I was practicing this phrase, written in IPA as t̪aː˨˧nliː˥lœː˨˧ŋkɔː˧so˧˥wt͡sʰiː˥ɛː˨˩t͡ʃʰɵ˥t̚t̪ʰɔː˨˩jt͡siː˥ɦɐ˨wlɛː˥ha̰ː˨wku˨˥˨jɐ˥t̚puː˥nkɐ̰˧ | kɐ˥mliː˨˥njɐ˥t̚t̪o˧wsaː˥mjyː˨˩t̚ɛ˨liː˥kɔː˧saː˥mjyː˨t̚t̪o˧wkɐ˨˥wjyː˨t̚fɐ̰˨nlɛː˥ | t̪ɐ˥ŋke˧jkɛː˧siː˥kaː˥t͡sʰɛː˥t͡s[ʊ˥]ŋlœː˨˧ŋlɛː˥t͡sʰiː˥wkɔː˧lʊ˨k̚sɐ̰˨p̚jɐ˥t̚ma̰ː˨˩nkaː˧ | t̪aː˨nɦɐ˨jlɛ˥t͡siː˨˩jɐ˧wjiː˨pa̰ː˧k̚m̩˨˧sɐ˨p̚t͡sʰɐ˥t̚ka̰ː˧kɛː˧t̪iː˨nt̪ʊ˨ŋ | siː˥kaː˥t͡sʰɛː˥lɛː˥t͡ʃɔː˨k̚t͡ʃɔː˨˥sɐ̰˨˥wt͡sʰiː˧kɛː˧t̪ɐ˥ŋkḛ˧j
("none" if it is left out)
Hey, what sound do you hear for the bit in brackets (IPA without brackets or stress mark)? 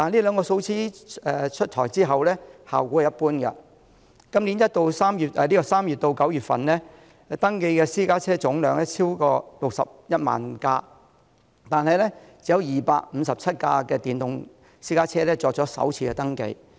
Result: ʊ˨˥